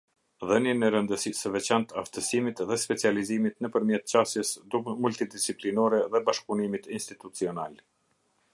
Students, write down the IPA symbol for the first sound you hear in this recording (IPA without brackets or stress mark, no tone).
ð